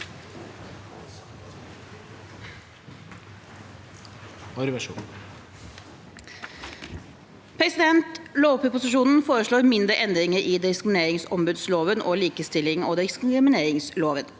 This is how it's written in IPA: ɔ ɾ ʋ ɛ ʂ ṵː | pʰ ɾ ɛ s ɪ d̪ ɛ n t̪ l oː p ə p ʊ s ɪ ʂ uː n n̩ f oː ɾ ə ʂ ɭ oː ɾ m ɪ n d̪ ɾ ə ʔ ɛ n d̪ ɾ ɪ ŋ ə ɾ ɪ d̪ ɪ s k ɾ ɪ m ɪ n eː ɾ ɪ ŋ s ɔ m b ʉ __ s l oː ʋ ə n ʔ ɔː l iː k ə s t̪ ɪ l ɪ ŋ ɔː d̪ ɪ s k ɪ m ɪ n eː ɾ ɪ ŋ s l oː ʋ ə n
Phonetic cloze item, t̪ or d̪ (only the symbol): d̪